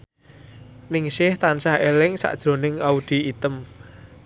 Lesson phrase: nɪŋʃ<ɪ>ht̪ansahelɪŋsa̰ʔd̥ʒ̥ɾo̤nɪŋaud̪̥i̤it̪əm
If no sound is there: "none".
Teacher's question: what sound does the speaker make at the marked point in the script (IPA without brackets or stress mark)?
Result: ɪ